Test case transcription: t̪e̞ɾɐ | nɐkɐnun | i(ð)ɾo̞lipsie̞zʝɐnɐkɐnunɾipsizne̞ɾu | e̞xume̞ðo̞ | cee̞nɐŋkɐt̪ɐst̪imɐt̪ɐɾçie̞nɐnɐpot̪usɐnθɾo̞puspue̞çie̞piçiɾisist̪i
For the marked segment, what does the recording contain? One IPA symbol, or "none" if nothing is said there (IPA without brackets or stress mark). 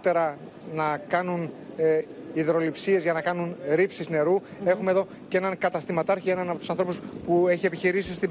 ð